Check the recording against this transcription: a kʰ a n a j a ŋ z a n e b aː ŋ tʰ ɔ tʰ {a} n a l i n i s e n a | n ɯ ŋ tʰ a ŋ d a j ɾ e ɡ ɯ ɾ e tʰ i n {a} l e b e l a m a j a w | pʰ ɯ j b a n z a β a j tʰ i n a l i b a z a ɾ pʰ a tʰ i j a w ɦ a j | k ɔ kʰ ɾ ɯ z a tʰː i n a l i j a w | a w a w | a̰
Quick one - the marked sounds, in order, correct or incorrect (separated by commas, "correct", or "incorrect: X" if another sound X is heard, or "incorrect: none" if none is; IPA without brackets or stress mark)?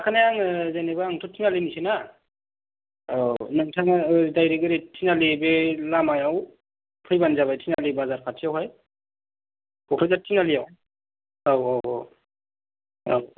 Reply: incorrect: i, correct